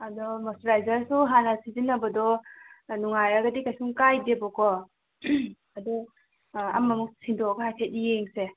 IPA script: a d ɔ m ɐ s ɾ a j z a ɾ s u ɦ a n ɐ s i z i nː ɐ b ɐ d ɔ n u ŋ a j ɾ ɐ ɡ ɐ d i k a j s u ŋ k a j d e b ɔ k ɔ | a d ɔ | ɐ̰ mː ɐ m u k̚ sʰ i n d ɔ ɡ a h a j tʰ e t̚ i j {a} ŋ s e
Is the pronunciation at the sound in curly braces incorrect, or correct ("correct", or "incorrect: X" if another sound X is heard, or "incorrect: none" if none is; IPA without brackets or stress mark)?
incorrect: e